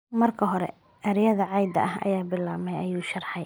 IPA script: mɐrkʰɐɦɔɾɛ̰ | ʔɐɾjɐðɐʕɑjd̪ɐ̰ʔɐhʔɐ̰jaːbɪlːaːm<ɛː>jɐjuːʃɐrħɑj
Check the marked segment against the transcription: incorrect: ɛ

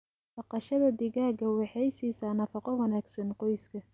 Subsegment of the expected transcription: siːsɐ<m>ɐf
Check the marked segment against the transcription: incorrect: n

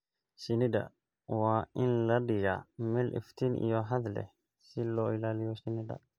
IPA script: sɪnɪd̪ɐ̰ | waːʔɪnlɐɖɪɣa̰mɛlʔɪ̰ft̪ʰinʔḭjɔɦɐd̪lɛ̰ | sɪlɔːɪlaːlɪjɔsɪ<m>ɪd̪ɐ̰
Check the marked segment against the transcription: incorrect: n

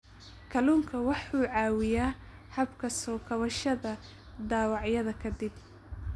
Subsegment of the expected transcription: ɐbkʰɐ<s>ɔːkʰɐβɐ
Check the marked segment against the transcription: correct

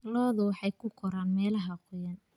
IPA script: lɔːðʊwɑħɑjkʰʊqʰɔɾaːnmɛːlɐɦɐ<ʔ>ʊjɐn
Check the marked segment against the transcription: incorrect: q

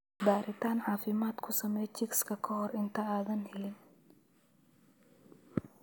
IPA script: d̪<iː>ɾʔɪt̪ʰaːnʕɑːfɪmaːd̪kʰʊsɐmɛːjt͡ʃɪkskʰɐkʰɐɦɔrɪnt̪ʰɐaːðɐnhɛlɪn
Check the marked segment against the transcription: incorrect: aː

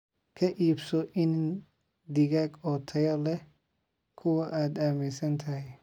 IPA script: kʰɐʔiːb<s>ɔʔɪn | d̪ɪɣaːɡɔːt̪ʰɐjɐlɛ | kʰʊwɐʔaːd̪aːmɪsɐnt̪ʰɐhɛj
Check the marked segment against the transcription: correct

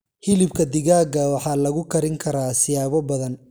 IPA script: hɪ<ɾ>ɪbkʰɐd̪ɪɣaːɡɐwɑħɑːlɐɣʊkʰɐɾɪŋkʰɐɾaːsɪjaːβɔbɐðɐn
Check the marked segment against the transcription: incorrect: l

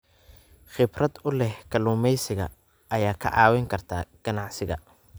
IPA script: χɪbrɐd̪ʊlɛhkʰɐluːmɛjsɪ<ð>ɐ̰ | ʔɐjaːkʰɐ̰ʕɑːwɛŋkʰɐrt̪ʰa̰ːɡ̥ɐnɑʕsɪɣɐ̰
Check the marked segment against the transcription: incorrect: ɣ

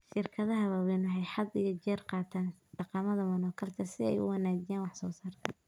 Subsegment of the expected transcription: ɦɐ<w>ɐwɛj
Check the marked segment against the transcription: incorrect: β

